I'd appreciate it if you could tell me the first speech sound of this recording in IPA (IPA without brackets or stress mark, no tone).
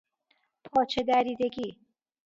pʰ